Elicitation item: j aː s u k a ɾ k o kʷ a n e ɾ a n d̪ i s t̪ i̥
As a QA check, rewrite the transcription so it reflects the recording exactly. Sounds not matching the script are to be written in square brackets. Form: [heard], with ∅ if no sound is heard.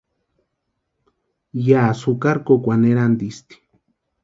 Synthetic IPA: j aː s u k a ɾ k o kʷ a n e ɾ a n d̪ i s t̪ i̥